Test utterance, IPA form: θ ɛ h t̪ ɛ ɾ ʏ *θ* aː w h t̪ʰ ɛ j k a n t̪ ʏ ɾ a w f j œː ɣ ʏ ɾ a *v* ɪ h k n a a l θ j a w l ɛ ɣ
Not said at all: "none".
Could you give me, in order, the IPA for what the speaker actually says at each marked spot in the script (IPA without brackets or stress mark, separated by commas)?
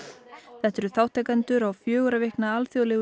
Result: θ, v